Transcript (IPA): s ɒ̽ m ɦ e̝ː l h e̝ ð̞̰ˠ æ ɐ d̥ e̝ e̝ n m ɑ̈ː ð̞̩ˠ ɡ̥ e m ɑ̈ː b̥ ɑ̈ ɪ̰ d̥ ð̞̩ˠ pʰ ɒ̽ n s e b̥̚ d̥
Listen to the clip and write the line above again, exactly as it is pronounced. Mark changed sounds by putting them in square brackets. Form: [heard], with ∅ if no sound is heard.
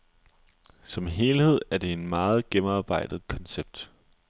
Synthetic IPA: s ɒ̽ m ɦ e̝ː l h e̝ ð̞̰ˠ æ ɐ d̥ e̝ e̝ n m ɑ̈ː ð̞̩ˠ ɡ̥ e m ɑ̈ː b̥ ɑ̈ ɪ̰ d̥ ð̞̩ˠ [kʰ] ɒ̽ n s e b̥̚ d̥